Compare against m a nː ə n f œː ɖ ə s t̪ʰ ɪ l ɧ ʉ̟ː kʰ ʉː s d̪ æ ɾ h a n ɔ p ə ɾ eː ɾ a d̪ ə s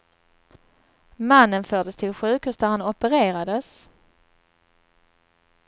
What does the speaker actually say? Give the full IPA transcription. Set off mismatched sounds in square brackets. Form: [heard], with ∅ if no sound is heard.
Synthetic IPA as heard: m a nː ə n f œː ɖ ə s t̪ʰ ɪ l ɧ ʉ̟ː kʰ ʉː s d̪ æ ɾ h a n ɔ p ə ɾ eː ɾ a d̪ ə s